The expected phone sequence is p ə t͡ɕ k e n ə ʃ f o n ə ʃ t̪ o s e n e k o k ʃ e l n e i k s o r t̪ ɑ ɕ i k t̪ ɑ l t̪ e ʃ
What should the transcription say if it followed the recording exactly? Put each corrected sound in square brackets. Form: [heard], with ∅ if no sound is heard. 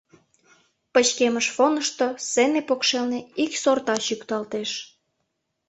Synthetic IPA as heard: p ə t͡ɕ k e [m] ə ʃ f o n ə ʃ t̪ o s e n e [p] o k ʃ e l n e i k s o r t̪ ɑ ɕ [y] k t̪ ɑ l t̪ e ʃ